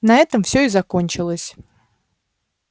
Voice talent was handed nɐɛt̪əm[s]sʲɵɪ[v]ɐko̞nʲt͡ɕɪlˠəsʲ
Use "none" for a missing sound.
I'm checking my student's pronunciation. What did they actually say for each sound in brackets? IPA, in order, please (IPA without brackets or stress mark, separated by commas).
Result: f, z